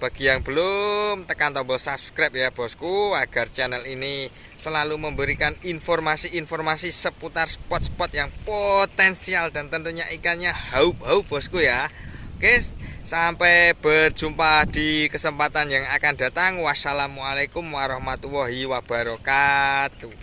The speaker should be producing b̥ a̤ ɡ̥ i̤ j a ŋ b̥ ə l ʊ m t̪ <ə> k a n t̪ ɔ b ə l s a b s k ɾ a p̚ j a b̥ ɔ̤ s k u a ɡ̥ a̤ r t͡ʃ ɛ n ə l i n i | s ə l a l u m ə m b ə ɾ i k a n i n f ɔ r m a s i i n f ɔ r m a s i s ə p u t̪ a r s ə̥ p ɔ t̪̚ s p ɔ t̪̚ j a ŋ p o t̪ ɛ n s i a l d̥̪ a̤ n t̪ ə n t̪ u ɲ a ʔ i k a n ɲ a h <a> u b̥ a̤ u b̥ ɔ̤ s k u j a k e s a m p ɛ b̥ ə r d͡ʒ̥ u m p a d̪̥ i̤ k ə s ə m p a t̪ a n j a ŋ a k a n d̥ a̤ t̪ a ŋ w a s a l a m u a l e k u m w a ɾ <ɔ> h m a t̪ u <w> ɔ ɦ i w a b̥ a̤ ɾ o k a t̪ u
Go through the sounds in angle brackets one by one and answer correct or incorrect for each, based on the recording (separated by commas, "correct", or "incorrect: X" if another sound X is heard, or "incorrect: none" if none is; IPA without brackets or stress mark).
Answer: correct, correct, correct, correct